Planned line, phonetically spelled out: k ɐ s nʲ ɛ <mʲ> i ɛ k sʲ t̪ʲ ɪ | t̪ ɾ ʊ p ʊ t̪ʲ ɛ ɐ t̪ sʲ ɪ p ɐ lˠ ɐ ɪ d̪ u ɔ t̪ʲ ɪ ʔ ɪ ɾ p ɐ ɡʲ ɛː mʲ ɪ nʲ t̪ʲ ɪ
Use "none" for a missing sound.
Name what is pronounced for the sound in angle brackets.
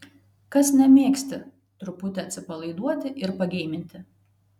mʲ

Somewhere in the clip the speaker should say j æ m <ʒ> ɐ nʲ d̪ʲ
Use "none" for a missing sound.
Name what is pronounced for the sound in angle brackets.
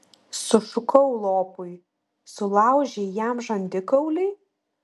ʒ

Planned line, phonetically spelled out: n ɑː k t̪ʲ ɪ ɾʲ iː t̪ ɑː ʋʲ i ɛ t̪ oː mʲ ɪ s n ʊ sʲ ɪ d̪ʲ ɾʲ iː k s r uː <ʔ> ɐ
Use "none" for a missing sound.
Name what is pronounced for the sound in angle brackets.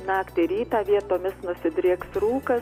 k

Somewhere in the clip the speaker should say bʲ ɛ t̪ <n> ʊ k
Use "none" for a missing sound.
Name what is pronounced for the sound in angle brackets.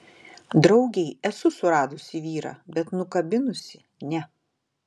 n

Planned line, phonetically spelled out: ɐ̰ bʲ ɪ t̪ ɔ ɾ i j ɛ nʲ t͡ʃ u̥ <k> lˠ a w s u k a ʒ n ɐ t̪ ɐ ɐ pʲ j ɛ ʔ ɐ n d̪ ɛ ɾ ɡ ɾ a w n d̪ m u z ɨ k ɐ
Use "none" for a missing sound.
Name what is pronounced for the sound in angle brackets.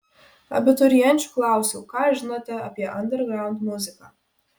k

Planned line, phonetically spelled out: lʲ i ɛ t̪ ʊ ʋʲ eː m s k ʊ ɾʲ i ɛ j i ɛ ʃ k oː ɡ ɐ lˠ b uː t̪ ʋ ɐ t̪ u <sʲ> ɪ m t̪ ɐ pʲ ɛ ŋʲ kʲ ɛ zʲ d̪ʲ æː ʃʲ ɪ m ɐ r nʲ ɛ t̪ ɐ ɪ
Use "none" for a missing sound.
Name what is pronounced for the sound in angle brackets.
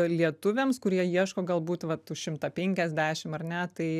ʃʲ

